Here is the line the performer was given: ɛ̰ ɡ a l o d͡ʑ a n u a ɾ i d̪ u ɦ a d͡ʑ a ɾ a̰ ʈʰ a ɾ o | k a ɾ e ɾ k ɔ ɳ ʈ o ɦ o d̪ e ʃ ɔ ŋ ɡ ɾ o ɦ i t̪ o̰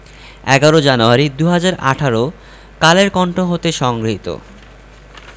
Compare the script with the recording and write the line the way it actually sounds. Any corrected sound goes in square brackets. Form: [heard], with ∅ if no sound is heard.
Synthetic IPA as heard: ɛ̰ ɡ a [ɾ] o d͡ʑ a n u a ɾ i d̪ u ɦ a d͡ʑ a ɾ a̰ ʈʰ a ɾ o | k a [l] e ɾ k ɔ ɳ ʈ o ɦ o [t̪] e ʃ ɔ ŋ ɡ ɾ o ɦ i t̪ o̰